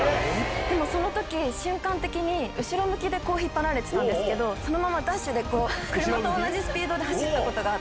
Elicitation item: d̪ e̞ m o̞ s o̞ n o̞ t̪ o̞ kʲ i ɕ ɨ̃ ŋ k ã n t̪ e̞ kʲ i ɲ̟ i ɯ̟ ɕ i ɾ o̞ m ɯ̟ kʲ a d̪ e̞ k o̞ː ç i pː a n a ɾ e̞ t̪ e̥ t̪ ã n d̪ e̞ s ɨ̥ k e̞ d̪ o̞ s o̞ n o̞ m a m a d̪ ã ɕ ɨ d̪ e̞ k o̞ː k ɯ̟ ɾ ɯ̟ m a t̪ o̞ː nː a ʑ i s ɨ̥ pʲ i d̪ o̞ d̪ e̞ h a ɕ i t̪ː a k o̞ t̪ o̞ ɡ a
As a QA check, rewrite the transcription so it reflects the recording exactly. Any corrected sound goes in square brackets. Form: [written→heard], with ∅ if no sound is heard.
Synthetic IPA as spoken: d̪ e̞ m o̞ s o̞ n o̞ t̪ o̞ kʲ i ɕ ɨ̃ ŋ k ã n t̪ e̞ kʲ i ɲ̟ i ɯ̟ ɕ i ɾ o̞ m ɯ̟ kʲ [a→i] d̪ e̞ k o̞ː ç i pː a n a ɾ e̞ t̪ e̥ t̪ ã n d̪ e̞ s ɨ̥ k e̞ d̪ o̞ s o̞ n o̞ m a m a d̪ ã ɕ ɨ d̪ e̞ k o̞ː k ɯ̟ ɾ ɯ̟ m a t̪ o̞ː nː a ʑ i s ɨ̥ pʲ [i→iː] d̪ o̞ d̪ e̞ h a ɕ i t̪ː a k o̞ t̪ o̞ ɡ a